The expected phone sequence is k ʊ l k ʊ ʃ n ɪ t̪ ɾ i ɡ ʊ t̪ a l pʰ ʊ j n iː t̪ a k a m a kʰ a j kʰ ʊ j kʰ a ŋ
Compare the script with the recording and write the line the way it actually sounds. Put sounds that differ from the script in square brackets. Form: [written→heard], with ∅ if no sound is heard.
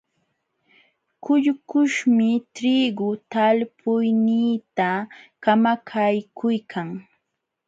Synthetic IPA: k ʊ [l→ʎ] k ʊ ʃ [n→m] ɪ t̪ ɾ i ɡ ʊ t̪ a l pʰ ʊ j n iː t̪ a k a m a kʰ a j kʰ ʊ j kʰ a ŋ

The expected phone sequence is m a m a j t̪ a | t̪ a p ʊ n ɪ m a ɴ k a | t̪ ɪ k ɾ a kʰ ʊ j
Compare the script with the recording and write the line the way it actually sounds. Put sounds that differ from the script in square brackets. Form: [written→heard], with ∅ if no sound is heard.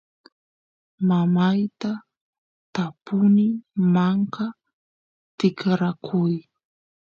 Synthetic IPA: m a m a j t̪ a | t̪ a p ʊ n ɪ m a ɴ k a | t̪ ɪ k ɾ a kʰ ʊ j

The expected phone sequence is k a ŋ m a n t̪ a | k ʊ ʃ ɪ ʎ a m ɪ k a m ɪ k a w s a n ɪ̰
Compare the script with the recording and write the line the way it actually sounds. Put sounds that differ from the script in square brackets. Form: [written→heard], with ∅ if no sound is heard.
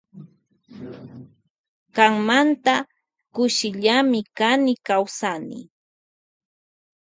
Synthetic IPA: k a ŋ m a n t̪ a | k ʊ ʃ ɪ ʎ a m ɪ k a [m→n] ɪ k a w s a n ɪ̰

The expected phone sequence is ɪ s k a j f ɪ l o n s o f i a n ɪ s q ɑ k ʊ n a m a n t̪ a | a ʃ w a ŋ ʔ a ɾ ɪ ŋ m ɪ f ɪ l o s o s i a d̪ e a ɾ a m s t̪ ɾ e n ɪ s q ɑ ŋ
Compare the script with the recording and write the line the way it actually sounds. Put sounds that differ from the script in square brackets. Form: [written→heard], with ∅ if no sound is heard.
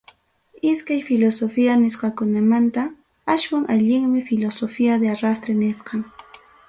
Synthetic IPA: ɪ s k a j f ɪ l o [n→∅] s o f i a n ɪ s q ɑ k ʊ n a m a n t̪ a | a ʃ w a ŋ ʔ a [ɾ→ʎ] ɪ ŋ m ɪ f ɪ l o s o [s→f] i a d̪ e a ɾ a [m→∅] s t̪ ɾ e n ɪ s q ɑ ŋ

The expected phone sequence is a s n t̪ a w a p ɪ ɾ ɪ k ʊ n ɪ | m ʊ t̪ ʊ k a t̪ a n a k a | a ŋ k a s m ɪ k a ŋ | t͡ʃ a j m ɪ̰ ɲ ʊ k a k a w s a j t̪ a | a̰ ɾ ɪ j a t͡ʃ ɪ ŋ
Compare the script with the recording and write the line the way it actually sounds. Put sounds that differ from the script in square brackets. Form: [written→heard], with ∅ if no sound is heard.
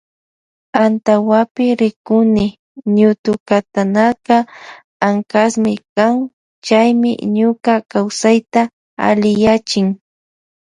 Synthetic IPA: a [s→∅] n t̪ a w a p ɪ ɾ ɪ k ʊ n ɪ | [m→ɲ] ʊ t̪ ʊ k a t̪ a n a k a | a ŋ k a s m ɪ k a ŋ | t͡ʃ a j m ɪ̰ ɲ ʊ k a k a w s a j t̪ a | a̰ [ɾ→l] ɪ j a t͡ʃ ɪ ŋ

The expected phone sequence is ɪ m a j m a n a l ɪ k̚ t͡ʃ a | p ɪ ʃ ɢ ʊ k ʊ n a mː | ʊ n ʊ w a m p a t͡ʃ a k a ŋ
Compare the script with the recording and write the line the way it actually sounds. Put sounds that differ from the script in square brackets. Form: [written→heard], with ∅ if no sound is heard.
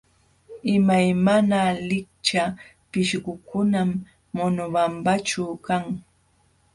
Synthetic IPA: ɪ m a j m a n a l ɪ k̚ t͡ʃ a | p ɪ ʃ ɢ ʊ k ʊ n a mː | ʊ n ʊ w a m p a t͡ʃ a k a ŋ

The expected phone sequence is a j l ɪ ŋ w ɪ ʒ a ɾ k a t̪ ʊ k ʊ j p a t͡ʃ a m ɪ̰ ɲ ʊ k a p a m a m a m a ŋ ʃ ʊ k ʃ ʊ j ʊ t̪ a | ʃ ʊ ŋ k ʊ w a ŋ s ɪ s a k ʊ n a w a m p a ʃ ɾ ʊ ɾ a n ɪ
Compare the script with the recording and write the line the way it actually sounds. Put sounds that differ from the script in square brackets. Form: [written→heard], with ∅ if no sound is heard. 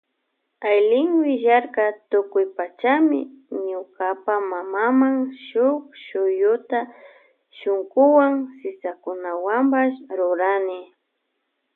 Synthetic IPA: a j l ɪ ŋ w ɪ ʒ a ɾ k a t̪ ʊ k ʊ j p a t͡ʃ a m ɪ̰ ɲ ʊ k a p a m a m a m a ŋ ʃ ʊ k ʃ ʊ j ʊ t̪ a | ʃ ʊ ŋ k ʊ w a ŋ s ɪ s a k ʊ n a w a m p a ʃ ɾ ʊ ɾ a n ɪ

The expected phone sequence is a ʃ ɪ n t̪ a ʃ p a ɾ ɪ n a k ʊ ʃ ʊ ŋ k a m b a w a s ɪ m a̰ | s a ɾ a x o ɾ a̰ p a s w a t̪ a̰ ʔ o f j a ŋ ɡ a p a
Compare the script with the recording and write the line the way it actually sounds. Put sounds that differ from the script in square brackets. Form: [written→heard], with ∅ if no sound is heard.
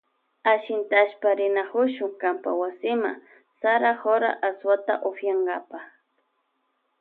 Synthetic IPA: a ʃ ɪ n t̪ a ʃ p a ɾ ɪ n a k ʊ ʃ ʊ ŋ k a m [b→p] a w a s ɪ m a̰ | s a ɾ a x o ɾ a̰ [p→ʔ] a s w a t̪ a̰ ʔ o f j a ŋ ɡ a p a

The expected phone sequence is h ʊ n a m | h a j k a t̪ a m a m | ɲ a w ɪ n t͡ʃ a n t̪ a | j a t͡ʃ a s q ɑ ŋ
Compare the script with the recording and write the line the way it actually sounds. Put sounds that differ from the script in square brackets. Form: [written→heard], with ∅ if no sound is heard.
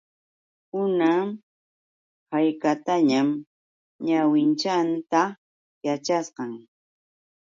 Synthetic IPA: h ʊ n a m | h a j k a t̪ a [m→ɲ] a m | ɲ a w ɪ n t͡ʃ a n t̪ a | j a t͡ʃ a s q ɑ ŋ

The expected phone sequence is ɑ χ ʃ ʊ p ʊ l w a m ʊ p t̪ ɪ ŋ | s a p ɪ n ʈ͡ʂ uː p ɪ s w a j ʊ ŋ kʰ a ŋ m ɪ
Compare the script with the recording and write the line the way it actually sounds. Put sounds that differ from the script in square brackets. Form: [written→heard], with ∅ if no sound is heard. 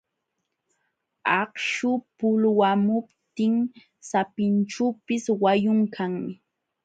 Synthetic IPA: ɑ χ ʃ ʊ p ʊ l w a m ʊ p t̪ ɪ ŋ | s a p ɪ n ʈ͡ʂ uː p ɪ s w a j ʊ ŋ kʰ a ŋ m ɪ

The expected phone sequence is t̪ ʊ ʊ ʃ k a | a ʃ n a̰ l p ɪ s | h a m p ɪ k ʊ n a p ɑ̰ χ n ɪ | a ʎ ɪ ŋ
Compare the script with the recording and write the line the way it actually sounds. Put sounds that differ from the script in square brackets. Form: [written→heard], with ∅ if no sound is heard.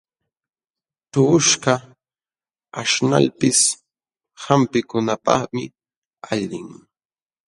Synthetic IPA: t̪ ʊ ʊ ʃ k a | a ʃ n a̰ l p ɪ s | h a m p ɪ k ʊ n a p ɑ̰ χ [n→m] ɪ | a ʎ ɪ ŋ

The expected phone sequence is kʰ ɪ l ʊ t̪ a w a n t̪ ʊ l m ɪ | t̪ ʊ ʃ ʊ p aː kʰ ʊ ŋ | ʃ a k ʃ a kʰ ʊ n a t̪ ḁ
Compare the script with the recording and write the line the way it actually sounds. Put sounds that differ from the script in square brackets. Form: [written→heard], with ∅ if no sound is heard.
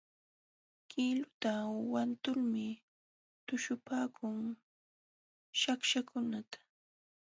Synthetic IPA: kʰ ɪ l ʊ t̪ a w a n t̪ ʊ l m ɪ | t̪ ʊ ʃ ʊ p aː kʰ ʊ ŋ | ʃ a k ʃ a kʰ ʊ n a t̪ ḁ

